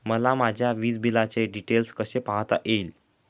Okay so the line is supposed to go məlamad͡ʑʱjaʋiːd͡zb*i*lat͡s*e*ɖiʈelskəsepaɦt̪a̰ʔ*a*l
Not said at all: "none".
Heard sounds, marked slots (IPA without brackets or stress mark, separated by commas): i, e, e